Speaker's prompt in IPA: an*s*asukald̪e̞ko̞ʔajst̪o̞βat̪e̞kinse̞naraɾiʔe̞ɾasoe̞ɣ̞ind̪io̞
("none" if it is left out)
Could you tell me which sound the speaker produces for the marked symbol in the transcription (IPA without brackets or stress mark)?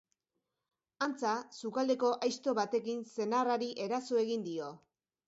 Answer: t͡s